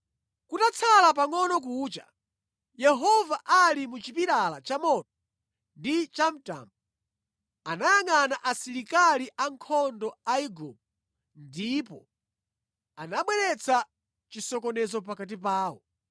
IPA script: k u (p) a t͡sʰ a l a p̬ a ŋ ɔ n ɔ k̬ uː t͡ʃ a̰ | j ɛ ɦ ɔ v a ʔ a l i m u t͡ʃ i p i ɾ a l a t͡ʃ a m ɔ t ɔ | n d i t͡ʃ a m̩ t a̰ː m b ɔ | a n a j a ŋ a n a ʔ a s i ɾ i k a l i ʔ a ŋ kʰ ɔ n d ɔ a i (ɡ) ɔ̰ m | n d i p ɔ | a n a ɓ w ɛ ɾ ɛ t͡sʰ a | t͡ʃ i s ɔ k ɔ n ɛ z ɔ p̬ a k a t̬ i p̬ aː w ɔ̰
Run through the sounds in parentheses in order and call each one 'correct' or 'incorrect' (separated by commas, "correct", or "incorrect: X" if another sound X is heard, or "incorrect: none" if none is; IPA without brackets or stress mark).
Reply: incorrect: t, correct